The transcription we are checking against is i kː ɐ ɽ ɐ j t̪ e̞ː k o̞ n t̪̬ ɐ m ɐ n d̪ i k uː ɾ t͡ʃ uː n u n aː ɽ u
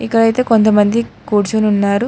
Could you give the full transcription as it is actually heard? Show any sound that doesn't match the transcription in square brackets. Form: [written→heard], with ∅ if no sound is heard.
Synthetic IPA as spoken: i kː ɐ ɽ ɐ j t̪ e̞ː k o̞ n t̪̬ ɐ m ɐ n d̪ i k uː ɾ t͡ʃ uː n u [n→nː] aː [ɽ→ɾ] u